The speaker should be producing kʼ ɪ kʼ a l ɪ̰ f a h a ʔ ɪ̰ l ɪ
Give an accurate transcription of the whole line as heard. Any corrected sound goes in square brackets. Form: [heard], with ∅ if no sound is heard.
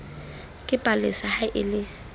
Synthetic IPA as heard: kʼ ɪ [pʼ] a l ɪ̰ [s] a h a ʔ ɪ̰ l ɪ

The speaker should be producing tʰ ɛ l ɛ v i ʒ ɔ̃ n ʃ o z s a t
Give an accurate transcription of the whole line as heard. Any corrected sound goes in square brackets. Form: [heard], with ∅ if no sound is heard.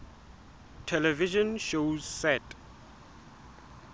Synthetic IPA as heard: tʰ ɛ l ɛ v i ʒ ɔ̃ n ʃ o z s [ɛ] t

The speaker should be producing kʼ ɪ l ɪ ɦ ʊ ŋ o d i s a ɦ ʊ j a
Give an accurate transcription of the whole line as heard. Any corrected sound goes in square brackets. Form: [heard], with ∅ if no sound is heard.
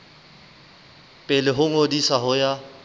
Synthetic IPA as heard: [pʼ] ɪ l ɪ ɦ ʊ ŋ o d i s a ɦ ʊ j a

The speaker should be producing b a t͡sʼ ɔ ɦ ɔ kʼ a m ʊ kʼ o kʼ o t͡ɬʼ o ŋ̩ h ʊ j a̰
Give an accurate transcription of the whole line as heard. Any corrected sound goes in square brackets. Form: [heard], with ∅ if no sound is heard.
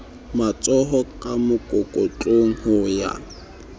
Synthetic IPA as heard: [m] a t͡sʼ ɔ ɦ ɔ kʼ a m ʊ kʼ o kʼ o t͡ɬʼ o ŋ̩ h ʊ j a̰

